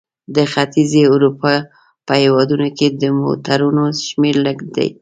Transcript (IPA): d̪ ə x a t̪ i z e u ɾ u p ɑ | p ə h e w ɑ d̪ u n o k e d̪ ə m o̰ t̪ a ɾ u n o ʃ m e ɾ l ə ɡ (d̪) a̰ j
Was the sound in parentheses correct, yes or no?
yes